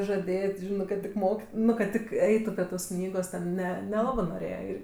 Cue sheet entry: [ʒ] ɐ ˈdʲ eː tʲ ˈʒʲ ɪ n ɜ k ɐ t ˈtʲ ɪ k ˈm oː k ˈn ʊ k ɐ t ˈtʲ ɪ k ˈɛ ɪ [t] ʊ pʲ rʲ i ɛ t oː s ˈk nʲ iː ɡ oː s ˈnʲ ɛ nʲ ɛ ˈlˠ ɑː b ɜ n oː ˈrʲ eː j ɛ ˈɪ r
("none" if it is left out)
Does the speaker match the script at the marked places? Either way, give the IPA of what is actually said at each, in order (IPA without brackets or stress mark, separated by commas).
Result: ʒ, t